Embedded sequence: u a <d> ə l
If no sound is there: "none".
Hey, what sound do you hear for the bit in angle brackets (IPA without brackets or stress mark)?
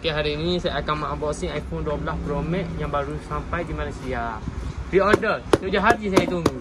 b